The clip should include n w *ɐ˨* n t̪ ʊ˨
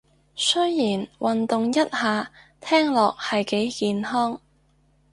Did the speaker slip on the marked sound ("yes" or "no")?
no